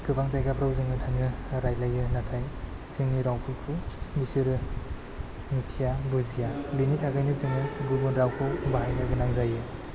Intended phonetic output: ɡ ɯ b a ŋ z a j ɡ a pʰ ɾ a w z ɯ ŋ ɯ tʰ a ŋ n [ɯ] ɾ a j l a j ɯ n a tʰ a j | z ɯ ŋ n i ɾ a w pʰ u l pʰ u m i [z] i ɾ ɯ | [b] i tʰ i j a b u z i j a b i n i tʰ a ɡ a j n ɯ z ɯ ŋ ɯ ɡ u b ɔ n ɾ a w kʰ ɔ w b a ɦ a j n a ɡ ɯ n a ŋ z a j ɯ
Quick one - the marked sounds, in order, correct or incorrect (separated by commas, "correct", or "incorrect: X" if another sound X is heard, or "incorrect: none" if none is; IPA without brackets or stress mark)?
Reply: correct, incorrect: s, incorrect: m